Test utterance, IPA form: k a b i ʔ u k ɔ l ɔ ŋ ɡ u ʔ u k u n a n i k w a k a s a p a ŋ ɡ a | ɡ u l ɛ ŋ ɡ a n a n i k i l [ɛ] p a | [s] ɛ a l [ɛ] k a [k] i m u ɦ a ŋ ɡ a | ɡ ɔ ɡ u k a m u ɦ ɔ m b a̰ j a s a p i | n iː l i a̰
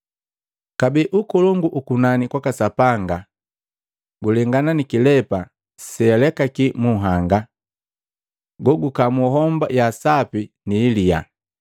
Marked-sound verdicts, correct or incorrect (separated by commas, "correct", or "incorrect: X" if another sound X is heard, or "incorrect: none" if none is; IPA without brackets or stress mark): correct, correct, correct, correct